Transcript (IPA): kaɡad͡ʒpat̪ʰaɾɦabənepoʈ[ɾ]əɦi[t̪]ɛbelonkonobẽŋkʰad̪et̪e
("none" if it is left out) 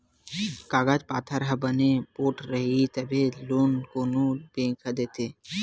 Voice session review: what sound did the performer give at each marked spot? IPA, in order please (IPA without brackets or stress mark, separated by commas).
ɾ, t̪